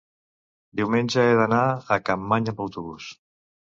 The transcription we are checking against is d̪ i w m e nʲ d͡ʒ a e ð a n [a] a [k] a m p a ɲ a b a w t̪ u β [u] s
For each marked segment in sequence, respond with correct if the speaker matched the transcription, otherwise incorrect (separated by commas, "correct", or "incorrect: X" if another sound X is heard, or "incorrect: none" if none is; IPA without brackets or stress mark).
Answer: correct, correct, correct